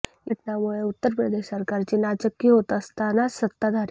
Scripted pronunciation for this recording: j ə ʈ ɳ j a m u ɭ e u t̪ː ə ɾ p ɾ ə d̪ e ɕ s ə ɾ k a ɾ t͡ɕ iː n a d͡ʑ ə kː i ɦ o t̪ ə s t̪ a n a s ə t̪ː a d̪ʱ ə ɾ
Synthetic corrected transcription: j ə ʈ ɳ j a m u ɭ e u t̪ː ə ɾ p ɾ ə d̪ e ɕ s ə ɾ k a ɾ t͡ɕ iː n a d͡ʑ ə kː i ɦ o t̪ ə s t̪ a n a s ə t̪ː a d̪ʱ a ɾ